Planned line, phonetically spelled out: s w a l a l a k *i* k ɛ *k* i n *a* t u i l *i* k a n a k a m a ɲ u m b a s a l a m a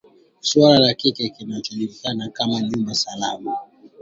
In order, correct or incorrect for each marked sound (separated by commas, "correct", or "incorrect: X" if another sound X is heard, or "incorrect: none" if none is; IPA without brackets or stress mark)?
correct, correct, correct, correct